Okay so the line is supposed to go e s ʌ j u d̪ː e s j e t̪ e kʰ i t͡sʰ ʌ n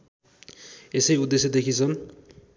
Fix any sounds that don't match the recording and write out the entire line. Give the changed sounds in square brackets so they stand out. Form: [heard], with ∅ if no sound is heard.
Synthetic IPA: e s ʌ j u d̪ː e s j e [d̪] e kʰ i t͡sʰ ʌ n